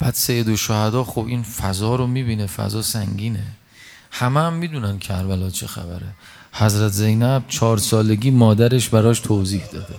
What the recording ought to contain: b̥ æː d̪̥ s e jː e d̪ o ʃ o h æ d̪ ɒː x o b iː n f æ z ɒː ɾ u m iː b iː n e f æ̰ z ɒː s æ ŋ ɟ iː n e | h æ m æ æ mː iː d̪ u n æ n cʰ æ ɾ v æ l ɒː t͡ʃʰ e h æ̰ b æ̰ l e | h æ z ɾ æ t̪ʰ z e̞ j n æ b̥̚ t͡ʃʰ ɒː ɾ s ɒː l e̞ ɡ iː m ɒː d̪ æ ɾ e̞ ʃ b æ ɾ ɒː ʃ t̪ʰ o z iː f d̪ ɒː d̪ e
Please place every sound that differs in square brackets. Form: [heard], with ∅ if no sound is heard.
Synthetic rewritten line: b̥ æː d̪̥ s e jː e d̪ o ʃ o h æ d̪ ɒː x o b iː n f æ z ɒː ɾ [o] m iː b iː n e f æ̰ z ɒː s æ ŋ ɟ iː n e | h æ m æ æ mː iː d̪ u n æ n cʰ æ ɾ v æ l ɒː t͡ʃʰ e [x] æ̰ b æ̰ [ɾ] e | h æ z ɾ æ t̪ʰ z e̞ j n æ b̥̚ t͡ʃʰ ɒː ɾ s ɒː l e̞ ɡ iː m ɒː d̪ æ ɾ e̞ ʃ b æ ɾ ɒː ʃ t̪ʰ o z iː [h] d̪ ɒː d̪ e